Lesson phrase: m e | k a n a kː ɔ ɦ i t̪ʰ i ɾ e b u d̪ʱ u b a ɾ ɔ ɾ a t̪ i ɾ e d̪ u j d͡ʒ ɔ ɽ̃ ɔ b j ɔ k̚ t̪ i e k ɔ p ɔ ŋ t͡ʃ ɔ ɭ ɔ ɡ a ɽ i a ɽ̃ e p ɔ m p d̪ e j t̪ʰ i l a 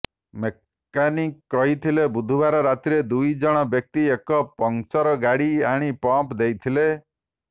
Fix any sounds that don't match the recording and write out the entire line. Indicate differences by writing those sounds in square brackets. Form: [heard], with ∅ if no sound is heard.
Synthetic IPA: m e | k a n [i] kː ɔ ɦ i t̪ʰ i [l] e b u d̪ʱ u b a ɾ ɔ ɾ a t̪ i ɾ e d̪ u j d͡ʒ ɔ ɽ̃ ɔ b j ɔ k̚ t̪ i e k ɔ p ɔ ŋ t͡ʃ ɔ [ɾ] ɔ ɡ a ɽ i a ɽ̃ [i] p ɔ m p d̪ e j t̪ʰ i l [e]

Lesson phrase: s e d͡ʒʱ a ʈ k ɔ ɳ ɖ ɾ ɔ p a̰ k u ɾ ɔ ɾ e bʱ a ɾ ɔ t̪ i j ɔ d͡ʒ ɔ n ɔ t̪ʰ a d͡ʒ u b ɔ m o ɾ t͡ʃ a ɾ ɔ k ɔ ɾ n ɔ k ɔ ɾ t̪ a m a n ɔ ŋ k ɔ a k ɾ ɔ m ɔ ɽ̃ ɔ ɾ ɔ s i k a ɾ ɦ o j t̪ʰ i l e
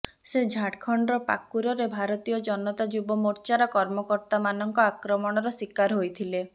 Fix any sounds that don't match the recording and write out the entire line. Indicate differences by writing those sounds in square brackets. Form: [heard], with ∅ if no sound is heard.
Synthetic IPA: s e d͡ʒʱ a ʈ [kʰ] ɔ ɳ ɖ ɾ ɔ p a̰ k u ɾ ɔ ɾ e bʱ a ɾ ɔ t̪ i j ɔ d͡ʒ ɔ n ɔ [t̪] a d͡ʒ u b ɔ m o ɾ t͡ʃ a ɾ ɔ k ɔ ɾ [m] ɔ k ɔ ɾ t̪ a m a n ɔ ŋ k ɔ a k ɾ ɔ m ɔ ɽ̃ ɔ ɾ ɔ s i k a ɾ ɦ o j t̪ʰ i l e

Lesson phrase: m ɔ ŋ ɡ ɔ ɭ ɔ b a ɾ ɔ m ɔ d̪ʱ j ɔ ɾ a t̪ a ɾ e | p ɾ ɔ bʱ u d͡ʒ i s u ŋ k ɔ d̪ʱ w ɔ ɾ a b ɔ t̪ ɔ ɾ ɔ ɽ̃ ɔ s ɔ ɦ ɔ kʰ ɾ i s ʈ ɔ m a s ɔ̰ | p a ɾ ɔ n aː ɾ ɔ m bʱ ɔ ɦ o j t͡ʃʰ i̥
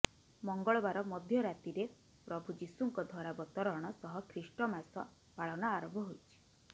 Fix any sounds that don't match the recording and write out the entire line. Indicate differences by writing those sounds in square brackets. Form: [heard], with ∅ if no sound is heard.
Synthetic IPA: m ɔ ŋ ɡ ɔ ɭ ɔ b a ɾ ɔ m ɔ d̪ʱ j ɔ ɾ a t̪ [i] ɾ e | p ɾ ɔ bʱ u d͡ʒ i s u ŋ k ɔ d̪ʱ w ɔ ɾ a b ɔ t̪ ɔ ɾ ɔ ɽ̃ ɔ s ɔ ɦ ɔ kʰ ɾ i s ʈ ɔ m a s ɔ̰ | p a [ɭ] ɔ n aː ɾ ɔ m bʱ ɔ ɦ o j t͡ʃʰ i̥

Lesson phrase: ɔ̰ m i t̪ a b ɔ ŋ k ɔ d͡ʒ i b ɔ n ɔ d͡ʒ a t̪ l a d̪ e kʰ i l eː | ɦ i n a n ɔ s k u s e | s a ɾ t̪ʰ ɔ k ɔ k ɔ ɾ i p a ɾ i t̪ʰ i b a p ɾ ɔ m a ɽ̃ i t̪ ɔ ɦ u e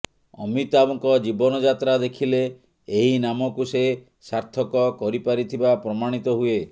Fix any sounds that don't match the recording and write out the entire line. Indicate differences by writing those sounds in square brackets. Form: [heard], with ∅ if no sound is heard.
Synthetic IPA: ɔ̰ m i t̪ a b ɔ ŋ k ɔ d͡ʒ i b ɔ n ɔ d͡ʒ a t̪ [ɾ] a d̪ e kʰ i l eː | ɦ i n a [m] ɔ [∅] k u s e | s a ɾ t̪ʰ ɔ k ɔ k ɔ ɾ i p a ɾ i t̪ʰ i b a p ɾ ɔ m a ɽ̃ i t̪ ɔ ɦ u e

